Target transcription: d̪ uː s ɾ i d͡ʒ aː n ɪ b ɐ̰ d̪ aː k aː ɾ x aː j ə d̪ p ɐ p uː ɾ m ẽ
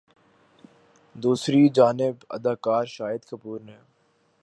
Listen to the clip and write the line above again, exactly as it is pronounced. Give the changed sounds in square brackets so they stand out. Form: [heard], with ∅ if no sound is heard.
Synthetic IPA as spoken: d̪ uː s ɾ i d͡ʒ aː n ɪ b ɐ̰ d̪ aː k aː ɾ [ʃ] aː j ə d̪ [k] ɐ p uː ɾ [n] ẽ